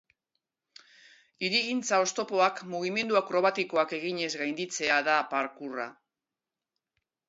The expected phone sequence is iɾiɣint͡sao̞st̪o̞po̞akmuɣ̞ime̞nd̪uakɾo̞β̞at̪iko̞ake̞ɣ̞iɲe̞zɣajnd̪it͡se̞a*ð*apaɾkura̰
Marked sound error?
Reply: no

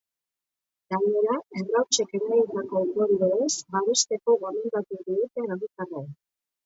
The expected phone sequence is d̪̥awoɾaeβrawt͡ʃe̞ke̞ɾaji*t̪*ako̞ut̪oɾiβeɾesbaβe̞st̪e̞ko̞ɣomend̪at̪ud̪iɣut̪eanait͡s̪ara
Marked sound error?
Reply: no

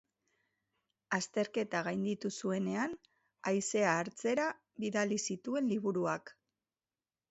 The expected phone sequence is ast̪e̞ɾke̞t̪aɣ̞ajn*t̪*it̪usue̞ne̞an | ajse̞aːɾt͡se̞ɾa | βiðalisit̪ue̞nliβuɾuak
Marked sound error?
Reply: yes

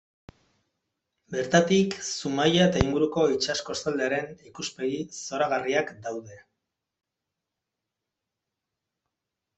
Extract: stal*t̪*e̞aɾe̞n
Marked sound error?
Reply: yes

